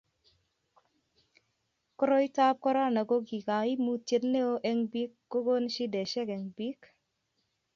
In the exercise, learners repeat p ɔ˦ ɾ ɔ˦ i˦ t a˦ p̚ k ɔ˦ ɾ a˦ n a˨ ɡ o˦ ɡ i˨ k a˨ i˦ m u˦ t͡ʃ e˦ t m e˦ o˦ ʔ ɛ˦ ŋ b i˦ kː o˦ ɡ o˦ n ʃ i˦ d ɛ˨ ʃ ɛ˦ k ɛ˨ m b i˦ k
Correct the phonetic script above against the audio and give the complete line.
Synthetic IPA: k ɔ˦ ɾ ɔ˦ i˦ t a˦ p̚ k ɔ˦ ɾ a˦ n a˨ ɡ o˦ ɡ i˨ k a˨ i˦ m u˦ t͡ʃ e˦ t n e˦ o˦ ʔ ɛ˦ ŋ b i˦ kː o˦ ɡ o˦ n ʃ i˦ d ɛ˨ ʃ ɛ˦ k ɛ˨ ŋ b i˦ k